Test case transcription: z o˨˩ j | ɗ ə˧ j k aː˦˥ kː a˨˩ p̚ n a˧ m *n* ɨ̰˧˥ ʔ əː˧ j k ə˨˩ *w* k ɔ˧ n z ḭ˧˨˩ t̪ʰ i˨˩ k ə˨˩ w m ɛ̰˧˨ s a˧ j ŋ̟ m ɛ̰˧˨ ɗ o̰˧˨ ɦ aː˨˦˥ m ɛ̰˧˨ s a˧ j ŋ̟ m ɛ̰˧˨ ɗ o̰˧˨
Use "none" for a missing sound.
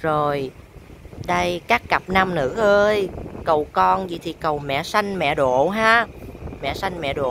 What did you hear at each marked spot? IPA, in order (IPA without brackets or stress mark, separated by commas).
n, w